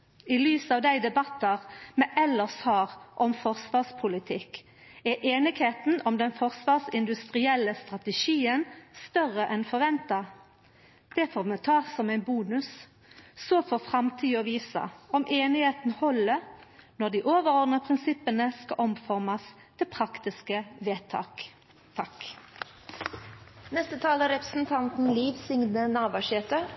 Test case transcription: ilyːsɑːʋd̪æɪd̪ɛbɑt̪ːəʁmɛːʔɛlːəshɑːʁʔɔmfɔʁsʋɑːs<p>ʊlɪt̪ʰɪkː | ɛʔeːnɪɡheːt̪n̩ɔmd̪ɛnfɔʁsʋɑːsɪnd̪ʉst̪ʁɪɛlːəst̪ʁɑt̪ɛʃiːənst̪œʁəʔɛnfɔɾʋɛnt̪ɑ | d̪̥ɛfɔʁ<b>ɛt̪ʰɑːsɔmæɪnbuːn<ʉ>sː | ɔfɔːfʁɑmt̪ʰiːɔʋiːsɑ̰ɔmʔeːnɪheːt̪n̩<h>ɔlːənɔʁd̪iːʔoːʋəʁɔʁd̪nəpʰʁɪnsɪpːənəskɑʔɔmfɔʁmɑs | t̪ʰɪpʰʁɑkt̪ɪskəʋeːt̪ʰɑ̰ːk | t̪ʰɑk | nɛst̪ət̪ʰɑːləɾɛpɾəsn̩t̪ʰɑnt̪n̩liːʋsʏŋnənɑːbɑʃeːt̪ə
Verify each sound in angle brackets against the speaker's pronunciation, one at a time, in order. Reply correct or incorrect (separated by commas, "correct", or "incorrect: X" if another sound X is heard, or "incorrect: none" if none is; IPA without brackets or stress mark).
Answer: incorrect: pʰ, incorrect: m, correct, correct